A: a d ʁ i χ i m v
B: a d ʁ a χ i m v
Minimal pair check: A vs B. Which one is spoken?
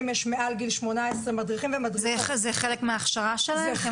A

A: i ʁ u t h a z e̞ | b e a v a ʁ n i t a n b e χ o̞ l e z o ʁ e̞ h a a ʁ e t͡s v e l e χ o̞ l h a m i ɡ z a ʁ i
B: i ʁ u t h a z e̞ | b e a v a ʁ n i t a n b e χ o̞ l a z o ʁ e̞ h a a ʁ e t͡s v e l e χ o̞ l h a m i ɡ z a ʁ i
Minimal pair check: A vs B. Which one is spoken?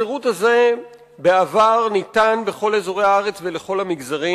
A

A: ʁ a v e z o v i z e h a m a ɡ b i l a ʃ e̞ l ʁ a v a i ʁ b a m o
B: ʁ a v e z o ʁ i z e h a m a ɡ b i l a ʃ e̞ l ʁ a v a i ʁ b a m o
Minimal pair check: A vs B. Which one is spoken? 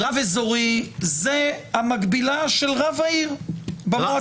B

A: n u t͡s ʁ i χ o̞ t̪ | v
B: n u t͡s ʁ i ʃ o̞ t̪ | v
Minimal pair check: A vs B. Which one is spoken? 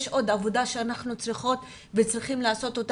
A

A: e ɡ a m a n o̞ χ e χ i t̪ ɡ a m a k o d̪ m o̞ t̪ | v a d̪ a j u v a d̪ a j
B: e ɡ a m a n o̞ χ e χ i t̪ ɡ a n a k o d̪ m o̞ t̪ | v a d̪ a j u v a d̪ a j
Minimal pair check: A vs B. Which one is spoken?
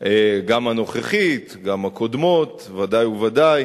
A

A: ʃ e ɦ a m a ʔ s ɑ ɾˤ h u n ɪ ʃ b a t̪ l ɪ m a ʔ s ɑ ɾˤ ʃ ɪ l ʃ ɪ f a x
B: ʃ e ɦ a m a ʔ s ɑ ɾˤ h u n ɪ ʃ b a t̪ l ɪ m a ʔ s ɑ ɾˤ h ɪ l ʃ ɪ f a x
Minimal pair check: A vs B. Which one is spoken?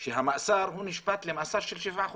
A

